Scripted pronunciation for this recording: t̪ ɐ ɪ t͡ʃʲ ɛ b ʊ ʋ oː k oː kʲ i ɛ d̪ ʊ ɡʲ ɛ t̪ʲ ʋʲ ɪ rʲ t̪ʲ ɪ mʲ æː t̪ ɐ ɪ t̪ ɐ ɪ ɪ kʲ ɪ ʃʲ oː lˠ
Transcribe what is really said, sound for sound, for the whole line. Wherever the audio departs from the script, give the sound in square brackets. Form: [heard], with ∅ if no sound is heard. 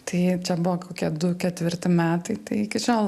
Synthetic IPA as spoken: t̪ ɐ ɪ t͡ʃʲ ɛ b ʊ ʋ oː k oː kʲ i ɛ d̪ ʊ [kʲ] ɛ t̪ʲ ʋʲ ɪ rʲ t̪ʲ ɪ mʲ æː t̪ ɐ ɪ t̪ ɐ ɪ ɪ kʲ ɪ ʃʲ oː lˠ